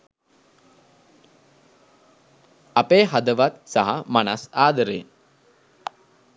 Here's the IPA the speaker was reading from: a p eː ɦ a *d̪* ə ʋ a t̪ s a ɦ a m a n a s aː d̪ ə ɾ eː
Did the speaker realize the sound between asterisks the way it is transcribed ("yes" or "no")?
yes